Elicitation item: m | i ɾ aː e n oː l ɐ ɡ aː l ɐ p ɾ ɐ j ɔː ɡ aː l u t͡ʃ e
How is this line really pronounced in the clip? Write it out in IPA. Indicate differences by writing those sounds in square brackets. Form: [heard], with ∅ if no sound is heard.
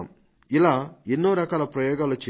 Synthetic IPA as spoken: m | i [l] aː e [nː] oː [ɾ] ɐ [k] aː l ɐ p ɾ ɐ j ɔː ɡ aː l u t͡ʃ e